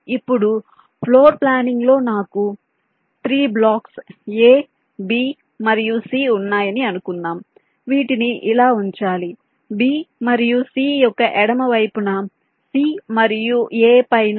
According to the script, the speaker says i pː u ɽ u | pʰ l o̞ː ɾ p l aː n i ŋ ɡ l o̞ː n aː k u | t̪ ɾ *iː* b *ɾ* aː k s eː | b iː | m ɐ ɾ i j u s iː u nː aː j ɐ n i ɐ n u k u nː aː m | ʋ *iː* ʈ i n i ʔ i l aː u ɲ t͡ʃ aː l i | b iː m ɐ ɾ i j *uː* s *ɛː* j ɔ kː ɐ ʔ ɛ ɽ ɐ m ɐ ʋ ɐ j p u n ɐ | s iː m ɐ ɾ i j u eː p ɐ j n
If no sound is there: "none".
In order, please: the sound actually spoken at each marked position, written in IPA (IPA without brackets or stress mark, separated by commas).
iː, l, iː, u, iː